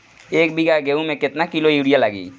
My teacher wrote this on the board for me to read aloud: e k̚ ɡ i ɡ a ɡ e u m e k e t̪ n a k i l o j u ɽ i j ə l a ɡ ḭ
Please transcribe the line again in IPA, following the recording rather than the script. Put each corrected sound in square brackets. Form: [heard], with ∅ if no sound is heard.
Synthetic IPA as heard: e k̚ [b] i ɡ a ɡ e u m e k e t̪ n a k i l o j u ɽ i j [a] l a ɡ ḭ

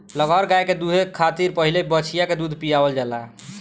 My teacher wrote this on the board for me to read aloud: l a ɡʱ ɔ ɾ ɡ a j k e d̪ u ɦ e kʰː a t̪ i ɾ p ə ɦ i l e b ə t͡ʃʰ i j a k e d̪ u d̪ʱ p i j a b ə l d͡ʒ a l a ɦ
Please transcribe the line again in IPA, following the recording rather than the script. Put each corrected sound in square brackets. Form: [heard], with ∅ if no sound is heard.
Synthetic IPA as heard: l [ə] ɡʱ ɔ ɾ ɡ a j k e d̪ u ɦ e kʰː a t̪ i ɾ p ə ɦ i l e b ə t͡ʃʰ i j a k e d̪ u d̪ʱ p i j a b ə l d͡ʒ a l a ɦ

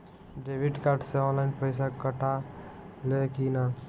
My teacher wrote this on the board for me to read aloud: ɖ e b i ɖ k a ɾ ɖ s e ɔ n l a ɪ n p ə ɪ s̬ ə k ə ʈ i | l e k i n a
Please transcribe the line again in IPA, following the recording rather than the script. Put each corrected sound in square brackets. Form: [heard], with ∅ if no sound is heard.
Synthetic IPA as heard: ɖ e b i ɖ k a ɾ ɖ s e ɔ n l a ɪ n p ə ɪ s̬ [a] k ə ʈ [a] | l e k i n a

